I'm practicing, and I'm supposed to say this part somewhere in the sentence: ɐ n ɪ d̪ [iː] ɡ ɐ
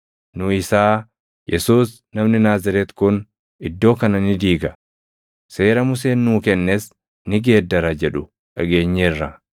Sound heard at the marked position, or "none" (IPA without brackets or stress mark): iː